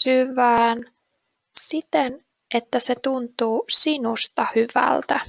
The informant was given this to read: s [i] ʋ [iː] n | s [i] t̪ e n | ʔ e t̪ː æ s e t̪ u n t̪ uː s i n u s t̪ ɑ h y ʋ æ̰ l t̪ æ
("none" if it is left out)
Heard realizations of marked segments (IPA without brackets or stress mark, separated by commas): y, æː, i